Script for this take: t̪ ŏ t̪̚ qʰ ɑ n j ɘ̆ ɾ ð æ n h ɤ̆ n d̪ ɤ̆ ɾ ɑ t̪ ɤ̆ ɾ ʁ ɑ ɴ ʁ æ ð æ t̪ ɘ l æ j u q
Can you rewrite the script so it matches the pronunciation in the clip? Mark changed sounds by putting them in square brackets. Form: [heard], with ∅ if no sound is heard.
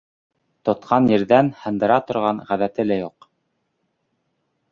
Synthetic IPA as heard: t̪ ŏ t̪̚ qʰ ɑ n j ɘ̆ ɾ ð æ n h ɤ̆ n d̪ ɤ̆ ɾ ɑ t̪ [ŏ] ɾ ʁ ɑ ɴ ʁ æ ð æ t̪ ɘ l æ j u q